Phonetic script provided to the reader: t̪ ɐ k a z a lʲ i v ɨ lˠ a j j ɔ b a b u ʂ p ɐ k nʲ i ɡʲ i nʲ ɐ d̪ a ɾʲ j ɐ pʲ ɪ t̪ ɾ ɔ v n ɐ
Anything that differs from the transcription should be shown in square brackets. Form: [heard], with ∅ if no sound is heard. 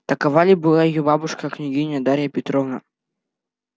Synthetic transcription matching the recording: t̪ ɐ k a [v] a lʲ i [b] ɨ lˠ a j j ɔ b a b u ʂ [k] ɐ k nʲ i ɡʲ i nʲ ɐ d̪ a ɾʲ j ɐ pʲ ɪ t̪ ɾ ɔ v n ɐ